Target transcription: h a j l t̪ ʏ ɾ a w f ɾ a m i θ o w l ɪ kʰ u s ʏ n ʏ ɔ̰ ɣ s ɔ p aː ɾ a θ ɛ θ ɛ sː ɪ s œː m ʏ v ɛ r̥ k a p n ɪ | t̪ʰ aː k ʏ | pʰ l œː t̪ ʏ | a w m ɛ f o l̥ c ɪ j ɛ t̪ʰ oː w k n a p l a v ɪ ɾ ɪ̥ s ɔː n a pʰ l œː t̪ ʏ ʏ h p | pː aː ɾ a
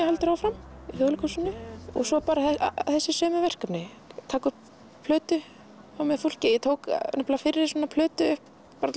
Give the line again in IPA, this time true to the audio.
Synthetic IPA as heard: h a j l t̪ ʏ ɾ a w f ɾ a m i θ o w l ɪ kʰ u s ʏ n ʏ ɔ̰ ɣ s ɔ p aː ɾ a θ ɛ θ ɛ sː ɪ s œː m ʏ v ɛ r̥ k a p n ɪ | t̪ʰ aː k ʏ | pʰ l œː t̪ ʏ | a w m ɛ f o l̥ c ɪ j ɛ t̪ʰ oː w k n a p l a f ɪ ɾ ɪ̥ s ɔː n a pʰ l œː t̪ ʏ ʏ h p | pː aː ɾ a